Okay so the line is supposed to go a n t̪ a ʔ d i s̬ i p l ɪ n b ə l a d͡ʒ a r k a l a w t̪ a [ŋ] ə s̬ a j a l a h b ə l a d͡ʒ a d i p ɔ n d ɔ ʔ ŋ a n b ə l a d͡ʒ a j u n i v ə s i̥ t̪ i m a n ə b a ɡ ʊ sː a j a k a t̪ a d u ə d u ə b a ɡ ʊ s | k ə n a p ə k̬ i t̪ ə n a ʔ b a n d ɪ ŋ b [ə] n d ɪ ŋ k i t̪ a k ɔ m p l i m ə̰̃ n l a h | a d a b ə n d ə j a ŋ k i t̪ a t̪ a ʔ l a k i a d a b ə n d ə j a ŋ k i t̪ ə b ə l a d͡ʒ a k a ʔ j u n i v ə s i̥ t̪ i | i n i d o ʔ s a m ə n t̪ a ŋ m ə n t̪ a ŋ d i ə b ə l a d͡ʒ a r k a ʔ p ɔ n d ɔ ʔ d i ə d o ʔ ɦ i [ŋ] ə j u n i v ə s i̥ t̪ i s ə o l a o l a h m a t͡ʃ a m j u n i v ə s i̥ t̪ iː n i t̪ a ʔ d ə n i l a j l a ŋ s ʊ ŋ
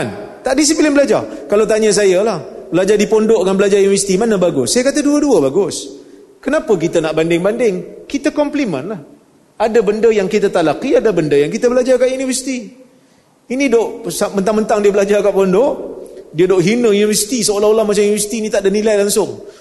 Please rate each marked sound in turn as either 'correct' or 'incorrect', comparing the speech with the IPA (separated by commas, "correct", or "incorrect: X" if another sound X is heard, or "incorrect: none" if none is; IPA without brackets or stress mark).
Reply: incorrect: ɲ, incorrect: a, incorrect: n